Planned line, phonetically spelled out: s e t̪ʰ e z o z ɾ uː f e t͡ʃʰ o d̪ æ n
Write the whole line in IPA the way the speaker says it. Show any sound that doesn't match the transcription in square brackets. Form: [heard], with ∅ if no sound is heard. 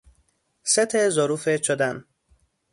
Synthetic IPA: s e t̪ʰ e z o [∅] ɾ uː f e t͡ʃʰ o d̪ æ n